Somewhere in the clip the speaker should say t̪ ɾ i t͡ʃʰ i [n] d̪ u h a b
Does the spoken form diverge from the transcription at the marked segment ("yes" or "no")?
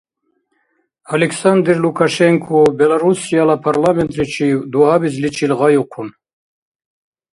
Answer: yes